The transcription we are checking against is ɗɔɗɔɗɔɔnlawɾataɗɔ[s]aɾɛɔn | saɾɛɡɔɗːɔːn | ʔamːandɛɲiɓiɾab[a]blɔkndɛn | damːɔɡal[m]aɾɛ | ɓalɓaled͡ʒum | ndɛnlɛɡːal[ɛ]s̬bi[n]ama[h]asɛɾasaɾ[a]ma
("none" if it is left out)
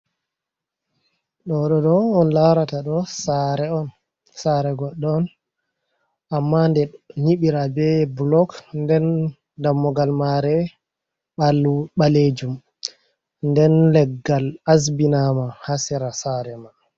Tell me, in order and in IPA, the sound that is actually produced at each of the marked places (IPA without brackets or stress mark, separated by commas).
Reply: s, ɛ, m, a, n, h, ɛ